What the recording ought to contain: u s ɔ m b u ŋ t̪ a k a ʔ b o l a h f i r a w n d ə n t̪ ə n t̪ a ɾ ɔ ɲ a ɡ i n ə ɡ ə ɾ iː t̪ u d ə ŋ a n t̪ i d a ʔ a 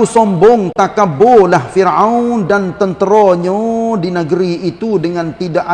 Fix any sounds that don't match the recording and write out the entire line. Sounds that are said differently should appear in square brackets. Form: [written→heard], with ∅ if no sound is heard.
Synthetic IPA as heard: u s ɔ m b [u→ɔ] ŋ t̪ a k a [ʔ→∅] b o l a h f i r a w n d [ə→a] n t̪ ə n t̪ [a→ə] ɾ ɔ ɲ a [ɡ→d] i n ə ɡ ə ɾ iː t̪ u d ə ŋ a n t̪ i d a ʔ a